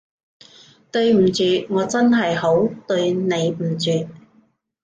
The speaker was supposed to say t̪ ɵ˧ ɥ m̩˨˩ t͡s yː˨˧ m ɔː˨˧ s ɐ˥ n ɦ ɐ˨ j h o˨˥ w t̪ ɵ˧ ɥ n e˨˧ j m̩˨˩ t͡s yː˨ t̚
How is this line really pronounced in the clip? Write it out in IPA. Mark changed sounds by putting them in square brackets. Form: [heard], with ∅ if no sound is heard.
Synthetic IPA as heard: t̪ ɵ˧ ɥ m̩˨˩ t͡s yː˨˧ [ŋ] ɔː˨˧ [t͡s] ɐ˥ n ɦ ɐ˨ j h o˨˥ w t̪ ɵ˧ ɥ n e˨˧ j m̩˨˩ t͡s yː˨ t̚

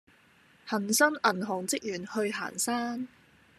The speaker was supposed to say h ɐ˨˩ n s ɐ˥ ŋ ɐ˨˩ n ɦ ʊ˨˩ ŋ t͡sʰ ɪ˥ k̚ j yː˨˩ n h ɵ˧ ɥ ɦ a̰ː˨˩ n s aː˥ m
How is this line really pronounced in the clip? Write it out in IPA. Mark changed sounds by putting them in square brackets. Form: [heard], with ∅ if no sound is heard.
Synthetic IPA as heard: h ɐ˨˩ n s ɐ˥ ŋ ɐ˨˩ n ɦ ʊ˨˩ ŋ [t͡s] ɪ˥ k̚ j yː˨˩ n h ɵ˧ ɥ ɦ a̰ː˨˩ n s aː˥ [n]

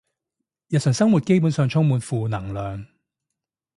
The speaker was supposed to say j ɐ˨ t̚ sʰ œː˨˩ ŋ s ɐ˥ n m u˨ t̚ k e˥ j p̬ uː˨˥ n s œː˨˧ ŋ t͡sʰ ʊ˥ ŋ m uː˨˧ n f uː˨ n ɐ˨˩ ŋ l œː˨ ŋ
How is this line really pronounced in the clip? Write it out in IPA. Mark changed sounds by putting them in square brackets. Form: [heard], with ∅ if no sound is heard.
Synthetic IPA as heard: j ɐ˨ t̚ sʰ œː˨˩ ŋ s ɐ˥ [ŋ] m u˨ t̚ k e˥ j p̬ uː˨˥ n s œː˨˧ ŋ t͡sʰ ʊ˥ ŋ m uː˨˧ n f uː˨ n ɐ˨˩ ŋ l œː˨ ŋ

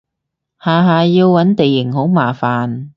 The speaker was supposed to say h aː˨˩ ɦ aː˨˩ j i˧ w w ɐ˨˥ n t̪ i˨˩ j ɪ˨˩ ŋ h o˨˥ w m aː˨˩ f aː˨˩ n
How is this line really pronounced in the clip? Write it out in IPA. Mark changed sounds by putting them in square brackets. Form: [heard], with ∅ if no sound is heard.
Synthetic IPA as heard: h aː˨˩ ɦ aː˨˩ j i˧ w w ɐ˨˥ n t̪ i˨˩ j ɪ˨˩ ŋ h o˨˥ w m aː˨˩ f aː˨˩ n

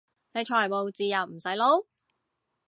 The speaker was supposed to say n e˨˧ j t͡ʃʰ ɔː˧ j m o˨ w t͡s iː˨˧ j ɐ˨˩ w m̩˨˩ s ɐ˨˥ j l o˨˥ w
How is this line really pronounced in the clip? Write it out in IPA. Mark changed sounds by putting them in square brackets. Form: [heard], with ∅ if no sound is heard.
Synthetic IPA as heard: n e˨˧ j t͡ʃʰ [ɔː˨˩] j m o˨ w t͡s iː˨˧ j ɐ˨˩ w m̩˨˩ s ɐ˨˥ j l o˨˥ w

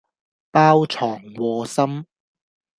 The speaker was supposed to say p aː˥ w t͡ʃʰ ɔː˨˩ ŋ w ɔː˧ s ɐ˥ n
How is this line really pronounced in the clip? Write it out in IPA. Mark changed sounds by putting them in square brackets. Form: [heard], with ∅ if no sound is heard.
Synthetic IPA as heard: p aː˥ w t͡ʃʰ ɔː˨˩ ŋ w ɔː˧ s ɐ˥ [m]

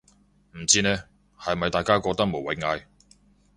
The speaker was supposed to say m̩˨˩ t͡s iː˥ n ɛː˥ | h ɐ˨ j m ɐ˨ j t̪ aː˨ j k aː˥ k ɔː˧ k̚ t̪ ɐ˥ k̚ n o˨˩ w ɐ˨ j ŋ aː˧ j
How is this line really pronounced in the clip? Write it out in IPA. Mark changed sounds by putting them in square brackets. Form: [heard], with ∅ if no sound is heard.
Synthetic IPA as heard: m̩˨˩ t͡s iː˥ n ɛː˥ | h ɐ˨ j m ɐ˨ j t̪ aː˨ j k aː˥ k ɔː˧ k̚ t̪ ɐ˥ k̚ [m] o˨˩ w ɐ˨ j ŋ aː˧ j

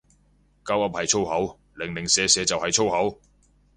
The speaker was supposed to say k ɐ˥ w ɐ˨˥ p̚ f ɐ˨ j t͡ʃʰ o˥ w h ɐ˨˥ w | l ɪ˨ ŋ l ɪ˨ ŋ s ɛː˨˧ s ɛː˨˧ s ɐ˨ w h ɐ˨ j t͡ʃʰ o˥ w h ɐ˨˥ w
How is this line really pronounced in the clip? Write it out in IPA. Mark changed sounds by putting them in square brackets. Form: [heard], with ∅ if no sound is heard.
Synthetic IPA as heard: k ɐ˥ w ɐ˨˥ p̚ [h] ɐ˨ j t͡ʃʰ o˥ w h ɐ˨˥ w | l ɪ˨ ŋ l ɪ˨ ŋ s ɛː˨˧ s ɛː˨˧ [t͡s] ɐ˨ w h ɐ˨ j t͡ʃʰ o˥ w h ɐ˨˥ w

